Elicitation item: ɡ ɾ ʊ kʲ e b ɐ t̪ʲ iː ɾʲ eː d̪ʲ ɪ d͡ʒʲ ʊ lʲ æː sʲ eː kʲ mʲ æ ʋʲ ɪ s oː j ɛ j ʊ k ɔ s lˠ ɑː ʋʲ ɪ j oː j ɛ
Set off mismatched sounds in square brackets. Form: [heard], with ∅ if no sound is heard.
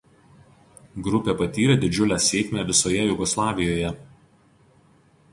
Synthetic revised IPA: ɡ ɾ ʊ [pʲ] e [p] ɐ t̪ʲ iː ɾʲ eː d̪ʲ ɪ d͡ʒʲ ʊ lʲ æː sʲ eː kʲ mʲ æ ʋʲ ɪ s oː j ɛ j ʊ [ɡ] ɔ s lˠ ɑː ʋʲ ɪ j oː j ɛ